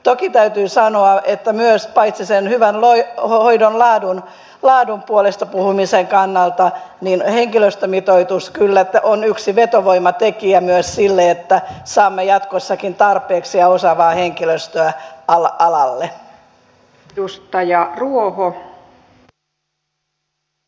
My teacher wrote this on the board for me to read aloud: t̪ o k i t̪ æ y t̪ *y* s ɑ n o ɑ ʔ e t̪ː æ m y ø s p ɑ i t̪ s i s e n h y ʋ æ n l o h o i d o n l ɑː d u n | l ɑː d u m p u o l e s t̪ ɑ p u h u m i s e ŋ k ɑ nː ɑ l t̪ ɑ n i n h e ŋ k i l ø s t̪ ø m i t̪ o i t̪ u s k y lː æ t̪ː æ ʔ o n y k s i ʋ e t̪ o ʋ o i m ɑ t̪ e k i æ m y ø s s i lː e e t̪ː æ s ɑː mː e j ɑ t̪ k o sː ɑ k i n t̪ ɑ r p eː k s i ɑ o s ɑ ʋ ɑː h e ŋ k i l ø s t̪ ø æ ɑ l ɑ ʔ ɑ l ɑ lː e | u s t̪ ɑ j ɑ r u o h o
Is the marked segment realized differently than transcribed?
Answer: yes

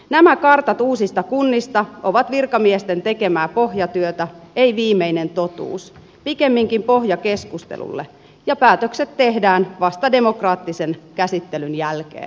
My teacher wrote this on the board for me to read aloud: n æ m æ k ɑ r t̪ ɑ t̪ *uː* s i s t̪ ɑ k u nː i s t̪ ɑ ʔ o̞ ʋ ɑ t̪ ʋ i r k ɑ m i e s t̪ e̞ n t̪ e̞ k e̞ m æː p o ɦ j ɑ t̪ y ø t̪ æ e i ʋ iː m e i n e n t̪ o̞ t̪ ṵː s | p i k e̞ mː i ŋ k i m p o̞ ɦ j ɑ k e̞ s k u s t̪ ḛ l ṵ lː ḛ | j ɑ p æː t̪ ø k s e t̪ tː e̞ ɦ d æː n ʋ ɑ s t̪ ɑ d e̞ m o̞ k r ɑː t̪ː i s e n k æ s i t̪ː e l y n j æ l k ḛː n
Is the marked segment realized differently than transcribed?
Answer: no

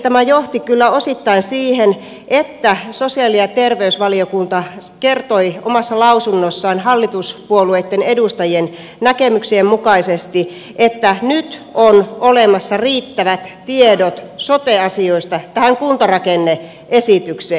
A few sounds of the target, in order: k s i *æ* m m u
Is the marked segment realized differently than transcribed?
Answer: yes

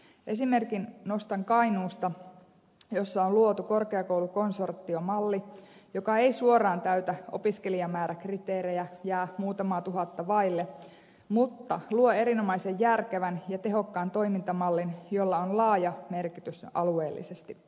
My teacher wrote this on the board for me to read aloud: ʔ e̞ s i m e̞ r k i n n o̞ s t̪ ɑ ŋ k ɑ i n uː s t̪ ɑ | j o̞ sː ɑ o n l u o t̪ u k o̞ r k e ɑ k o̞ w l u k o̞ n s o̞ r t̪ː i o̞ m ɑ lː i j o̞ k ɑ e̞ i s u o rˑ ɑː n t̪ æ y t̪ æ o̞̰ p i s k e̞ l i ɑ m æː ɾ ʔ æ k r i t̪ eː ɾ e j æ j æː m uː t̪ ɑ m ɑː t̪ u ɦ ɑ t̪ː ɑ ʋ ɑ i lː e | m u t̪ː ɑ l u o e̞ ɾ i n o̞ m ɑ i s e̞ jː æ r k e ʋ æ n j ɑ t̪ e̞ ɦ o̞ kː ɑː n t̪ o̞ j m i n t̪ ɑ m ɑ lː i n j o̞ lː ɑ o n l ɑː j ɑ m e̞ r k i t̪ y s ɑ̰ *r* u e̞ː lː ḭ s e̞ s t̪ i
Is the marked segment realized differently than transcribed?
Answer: yes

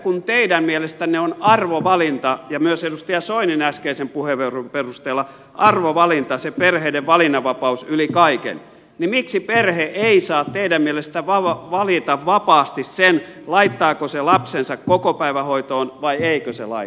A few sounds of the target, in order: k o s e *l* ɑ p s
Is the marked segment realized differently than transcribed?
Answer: no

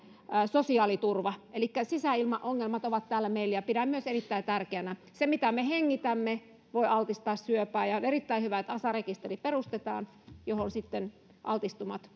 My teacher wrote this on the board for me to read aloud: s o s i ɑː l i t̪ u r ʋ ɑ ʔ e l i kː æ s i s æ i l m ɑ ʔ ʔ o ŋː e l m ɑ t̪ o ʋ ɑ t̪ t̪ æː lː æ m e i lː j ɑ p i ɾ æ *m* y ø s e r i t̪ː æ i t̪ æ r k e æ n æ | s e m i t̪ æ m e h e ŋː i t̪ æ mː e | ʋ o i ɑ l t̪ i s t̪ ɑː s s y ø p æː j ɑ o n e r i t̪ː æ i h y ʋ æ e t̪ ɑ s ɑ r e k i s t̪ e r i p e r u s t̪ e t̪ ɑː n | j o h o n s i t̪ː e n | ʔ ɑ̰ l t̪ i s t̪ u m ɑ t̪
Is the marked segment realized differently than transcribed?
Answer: no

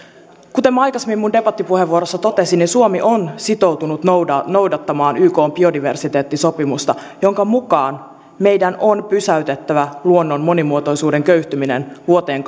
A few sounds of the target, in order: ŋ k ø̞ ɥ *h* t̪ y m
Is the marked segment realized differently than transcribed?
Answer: no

